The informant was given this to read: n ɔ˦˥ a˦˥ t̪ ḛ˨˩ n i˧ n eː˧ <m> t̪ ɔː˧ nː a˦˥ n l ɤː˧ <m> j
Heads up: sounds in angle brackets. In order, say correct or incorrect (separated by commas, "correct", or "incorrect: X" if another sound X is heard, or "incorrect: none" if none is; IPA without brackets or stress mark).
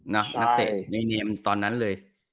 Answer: correct, incorrect: none